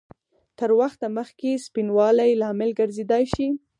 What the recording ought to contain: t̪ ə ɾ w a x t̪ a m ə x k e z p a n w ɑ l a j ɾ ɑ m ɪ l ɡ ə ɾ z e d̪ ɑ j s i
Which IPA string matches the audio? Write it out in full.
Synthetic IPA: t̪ ə ɾ w a x t̪ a m ə x k e s p i n w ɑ l a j l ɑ m ɪ l ɡ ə ɾ z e d̪ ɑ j ʃ i